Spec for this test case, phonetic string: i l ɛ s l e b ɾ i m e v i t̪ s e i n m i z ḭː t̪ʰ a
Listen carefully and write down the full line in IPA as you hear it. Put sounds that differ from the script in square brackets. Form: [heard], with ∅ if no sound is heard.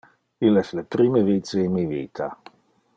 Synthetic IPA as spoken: i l ɛ s l e [p] ɾ i m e v i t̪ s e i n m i [v] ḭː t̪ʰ a